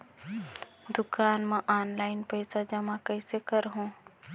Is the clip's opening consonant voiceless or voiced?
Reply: voiced